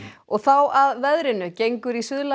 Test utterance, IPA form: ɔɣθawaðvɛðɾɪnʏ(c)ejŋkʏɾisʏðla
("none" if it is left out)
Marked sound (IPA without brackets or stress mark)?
c